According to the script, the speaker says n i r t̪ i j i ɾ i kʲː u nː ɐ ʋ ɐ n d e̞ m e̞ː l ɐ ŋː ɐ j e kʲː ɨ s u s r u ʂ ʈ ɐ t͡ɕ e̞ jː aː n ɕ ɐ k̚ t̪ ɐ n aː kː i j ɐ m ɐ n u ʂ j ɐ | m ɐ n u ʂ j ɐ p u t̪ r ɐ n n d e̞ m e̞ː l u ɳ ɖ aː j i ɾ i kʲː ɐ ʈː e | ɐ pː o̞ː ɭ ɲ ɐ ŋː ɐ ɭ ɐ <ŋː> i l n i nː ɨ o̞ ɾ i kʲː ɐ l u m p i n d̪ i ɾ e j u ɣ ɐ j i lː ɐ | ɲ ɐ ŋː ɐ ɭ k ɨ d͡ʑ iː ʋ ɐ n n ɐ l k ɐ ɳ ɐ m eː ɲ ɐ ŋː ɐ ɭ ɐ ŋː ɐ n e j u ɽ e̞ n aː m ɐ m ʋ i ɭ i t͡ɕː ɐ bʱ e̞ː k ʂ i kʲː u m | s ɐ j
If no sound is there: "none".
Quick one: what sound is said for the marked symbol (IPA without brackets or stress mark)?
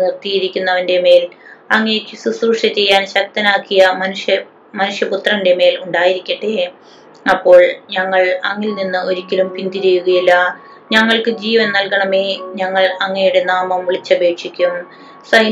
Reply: ŋː